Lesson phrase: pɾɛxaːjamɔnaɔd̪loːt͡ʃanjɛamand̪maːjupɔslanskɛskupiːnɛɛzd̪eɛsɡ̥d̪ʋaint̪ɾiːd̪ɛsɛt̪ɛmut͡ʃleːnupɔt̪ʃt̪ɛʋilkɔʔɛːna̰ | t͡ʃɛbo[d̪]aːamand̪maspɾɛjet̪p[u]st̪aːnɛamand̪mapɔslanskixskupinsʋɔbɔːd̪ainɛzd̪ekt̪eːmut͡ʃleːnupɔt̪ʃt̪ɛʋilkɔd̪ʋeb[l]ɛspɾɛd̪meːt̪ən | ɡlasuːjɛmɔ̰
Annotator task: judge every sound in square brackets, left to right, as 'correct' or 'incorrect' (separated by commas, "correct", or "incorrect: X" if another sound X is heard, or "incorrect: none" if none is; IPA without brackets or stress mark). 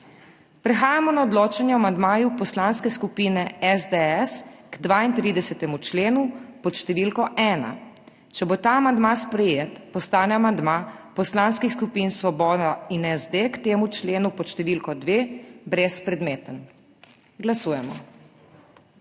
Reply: incorrect: t̪, incorrect: ɔ, incorrect: ɾ